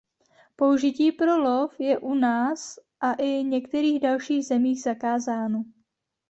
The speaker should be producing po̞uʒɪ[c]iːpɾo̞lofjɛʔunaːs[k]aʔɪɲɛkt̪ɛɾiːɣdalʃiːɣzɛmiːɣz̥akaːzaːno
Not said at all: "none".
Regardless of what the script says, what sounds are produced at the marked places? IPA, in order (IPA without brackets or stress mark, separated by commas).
c, ʔ